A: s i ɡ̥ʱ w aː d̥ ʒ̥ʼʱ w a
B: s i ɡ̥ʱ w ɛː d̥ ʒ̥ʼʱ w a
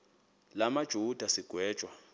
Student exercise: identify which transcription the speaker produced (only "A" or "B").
B